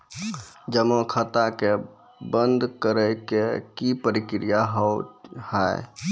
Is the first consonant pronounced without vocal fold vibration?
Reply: no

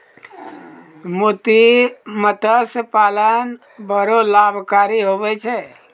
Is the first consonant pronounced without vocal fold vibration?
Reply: no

